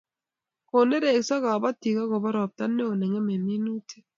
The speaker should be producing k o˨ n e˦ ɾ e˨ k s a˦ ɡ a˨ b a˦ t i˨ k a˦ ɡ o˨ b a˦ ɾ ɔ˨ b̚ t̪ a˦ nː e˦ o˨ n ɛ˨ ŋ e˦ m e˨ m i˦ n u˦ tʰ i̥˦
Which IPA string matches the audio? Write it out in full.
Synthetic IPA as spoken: k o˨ n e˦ ɾ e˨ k s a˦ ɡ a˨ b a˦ t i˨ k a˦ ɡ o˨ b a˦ ɾ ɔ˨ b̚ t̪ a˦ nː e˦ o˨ n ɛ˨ ŋ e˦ m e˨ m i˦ n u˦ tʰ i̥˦